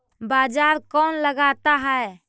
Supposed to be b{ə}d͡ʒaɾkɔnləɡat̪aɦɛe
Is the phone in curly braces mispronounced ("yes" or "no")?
yes